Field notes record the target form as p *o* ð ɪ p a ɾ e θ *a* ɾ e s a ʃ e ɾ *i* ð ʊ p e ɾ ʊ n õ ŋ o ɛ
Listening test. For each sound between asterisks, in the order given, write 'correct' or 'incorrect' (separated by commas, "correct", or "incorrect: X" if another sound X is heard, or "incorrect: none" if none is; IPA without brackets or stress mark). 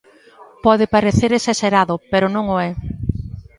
incorrect: ɔ, incorrect: e, incorrect: a